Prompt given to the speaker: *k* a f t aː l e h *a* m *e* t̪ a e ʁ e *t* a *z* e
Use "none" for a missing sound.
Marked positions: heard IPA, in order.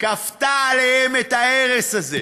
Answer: k, e, e, s, z

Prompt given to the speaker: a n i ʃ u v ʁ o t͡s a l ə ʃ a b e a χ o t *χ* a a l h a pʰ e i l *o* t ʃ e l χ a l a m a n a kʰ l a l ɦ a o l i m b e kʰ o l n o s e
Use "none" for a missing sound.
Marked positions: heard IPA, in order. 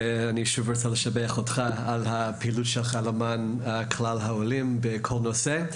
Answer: χ, u

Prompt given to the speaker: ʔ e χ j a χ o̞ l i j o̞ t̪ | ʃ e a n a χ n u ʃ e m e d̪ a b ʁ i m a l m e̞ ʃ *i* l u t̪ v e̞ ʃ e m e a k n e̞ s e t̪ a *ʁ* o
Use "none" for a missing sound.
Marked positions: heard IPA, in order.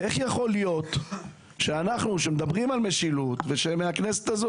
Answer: i, z

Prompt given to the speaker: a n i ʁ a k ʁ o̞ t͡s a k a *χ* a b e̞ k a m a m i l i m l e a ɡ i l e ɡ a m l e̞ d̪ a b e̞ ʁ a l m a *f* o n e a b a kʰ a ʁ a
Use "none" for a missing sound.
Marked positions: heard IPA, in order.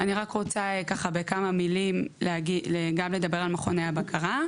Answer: χ, χ

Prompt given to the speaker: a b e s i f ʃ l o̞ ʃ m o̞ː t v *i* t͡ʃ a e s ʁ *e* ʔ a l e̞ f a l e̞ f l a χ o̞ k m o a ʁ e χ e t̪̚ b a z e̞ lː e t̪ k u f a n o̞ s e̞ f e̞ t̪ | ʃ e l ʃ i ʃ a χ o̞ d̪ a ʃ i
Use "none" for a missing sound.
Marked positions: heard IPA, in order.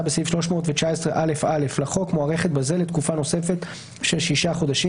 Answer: e, e

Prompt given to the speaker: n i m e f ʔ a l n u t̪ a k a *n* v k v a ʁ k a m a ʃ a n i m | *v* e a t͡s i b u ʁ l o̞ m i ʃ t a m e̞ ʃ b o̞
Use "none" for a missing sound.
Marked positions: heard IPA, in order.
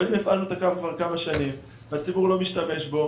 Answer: none, v

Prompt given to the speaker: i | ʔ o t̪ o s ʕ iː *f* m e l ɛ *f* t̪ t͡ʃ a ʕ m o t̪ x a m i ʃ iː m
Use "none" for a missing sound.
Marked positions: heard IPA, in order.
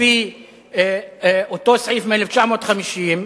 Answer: f, f

